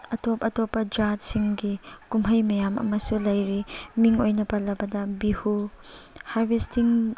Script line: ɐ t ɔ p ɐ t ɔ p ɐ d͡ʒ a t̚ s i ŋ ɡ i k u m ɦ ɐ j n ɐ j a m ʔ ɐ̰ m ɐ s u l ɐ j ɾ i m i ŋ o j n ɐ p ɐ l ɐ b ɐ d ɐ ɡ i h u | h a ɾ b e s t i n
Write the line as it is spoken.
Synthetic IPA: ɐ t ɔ p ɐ t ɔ p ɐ d͡ʒ a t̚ s i ŋ ɡ i k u m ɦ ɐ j m ɐ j a m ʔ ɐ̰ m ɐ s u l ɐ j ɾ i m i ŋ o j n ɐ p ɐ l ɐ b ɐ d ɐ b i h u | h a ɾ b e s t i ŋ